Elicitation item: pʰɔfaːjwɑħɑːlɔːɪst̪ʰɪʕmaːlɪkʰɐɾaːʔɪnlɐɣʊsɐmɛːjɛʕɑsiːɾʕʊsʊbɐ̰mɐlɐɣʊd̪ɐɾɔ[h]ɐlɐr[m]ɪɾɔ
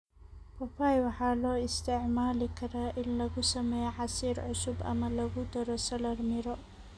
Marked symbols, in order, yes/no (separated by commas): no, yes